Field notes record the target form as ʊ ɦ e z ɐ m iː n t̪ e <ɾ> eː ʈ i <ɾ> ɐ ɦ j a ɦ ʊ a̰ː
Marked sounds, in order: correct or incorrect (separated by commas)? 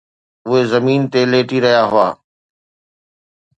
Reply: incorrect, correct